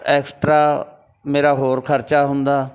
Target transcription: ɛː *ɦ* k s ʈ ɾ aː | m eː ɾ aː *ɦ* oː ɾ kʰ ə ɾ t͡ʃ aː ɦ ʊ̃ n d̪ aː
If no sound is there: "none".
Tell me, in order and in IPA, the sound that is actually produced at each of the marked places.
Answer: none, ɦ

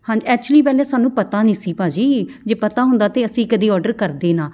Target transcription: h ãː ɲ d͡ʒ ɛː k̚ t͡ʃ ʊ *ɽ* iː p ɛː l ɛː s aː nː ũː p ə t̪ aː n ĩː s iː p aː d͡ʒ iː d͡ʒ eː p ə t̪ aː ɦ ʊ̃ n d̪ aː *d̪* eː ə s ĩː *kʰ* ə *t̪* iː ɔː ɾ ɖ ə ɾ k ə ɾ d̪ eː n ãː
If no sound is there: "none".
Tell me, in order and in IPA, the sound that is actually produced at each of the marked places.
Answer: l, t̪, k, d̪

